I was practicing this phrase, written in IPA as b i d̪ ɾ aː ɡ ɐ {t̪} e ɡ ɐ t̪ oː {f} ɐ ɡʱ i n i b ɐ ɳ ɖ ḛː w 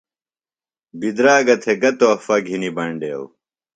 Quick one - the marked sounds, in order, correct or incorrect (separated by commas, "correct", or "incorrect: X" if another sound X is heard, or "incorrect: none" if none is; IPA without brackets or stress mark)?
incorrect: t̪ʰ, correct